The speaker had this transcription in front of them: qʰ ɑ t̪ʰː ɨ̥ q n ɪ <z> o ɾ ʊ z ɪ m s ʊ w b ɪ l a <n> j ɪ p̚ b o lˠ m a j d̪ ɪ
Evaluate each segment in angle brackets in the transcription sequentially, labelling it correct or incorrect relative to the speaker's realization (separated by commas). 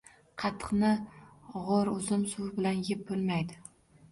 incorrect, correct